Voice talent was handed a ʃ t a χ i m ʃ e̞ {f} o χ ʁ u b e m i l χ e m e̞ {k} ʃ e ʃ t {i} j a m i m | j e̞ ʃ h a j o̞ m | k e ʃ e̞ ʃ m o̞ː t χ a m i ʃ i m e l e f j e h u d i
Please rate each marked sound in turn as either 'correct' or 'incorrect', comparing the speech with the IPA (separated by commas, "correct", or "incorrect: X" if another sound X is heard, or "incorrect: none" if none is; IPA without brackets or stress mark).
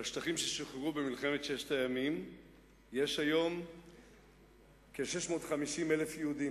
incorrect: ʃ, incorrect: t, incorrect: a